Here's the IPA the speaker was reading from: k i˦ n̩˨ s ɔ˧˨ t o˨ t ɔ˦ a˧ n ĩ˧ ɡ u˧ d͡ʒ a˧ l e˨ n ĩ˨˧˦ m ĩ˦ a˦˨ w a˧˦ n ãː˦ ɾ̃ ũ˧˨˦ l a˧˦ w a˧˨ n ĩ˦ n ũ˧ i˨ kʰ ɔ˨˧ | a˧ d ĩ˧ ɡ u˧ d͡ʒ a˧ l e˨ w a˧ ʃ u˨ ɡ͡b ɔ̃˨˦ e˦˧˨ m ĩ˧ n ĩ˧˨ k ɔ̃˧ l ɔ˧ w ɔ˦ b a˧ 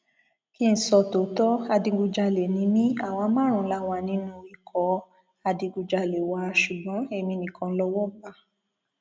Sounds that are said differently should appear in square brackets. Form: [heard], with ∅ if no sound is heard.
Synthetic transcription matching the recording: k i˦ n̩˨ s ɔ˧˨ t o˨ t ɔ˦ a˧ [d] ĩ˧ ɡ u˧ d͡ʒ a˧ l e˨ n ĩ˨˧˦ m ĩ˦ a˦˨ w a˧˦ [m] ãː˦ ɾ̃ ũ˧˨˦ l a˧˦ w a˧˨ n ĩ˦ n ũ˧ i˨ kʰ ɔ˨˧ | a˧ d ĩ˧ ɡ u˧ d͡ʒ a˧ l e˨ w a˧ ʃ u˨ ɡ͡b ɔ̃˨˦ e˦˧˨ m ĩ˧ n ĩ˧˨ k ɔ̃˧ l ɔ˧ w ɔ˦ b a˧